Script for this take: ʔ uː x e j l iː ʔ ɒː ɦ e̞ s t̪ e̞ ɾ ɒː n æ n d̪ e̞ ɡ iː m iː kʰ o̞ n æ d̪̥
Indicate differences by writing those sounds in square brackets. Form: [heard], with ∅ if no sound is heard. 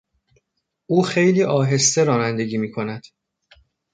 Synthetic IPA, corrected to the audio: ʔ uː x e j l iː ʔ ɒː ɦ e̞ s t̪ e̞ ɾ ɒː n æ n d̪ e̞ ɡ iː m iː kʰ o̞ n æ d̪̥